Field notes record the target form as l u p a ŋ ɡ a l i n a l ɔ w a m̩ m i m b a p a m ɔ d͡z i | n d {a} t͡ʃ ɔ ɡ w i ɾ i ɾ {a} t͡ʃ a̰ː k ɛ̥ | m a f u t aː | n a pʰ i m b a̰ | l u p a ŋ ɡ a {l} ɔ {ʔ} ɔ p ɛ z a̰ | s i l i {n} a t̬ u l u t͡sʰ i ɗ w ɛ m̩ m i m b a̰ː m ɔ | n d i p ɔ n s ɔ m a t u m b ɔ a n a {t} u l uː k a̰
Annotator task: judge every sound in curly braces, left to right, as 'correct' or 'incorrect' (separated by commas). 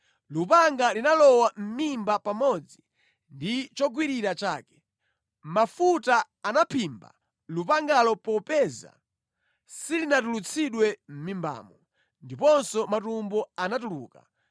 incorrect, correct, correct, incorrect, correct, correct